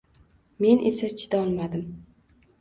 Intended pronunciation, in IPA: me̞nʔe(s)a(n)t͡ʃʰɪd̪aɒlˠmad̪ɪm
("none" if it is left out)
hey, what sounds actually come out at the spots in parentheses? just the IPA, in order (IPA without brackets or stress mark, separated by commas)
s, none